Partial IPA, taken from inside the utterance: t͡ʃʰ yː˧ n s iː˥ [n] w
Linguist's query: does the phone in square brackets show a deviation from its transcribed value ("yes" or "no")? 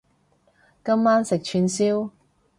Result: yes